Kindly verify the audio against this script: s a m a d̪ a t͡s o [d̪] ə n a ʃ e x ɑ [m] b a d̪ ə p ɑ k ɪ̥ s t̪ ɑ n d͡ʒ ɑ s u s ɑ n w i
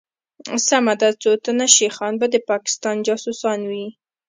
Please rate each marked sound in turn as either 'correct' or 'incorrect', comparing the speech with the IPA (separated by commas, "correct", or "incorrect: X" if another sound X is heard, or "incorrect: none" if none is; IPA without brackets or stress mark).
incorrect: t̪, incorrect: n